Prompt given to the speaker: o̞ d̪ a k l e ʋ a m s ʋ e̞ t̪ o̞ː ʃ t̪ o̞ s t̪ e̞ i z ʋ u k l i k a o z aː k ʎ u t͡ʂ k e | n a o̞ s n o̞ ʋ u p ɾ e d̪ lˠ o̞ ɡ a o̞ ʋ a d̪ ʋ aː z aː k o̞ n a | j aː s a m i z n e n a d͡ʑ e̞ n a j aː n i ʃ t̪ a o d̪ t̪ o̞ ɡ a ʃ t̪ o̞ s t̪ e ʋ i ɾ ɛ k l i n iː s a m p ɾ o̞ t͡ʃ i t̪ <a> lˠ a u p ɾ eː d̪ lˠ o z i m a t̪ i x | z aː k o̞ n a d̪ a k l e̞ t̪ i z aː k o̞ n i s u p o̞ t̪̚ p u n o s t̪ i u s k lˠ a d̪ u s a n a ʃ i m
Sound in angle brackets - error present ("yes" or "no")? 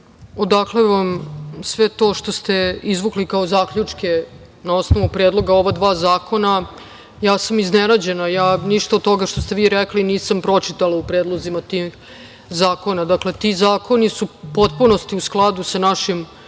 no